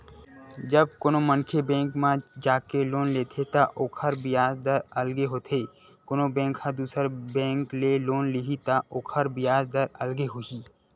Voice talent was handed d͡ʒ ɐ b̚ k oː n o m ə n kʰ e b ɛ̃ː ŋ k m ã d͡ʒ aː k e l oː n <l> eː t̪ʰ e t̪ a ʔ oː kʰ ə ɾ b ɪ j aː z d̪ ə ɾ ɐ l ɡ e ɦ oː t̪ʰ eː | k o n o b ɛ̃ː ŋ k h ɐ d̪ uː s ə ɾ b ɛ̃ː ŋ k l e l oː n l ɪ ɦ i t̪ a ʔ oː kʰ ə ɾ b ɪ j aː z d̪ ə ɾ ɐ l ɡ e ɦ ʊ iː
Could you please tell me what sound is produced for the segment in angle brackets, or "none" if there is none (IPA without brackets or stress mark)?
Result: l